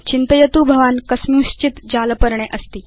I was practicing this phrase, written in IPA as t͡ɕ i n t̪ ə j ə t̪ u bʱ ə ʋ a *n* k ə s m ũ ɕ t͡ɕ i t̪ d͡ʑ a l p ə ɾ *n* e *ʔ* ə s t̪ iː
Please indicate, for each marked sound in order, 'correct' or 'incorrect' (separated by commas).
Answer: correct, incorrect, correct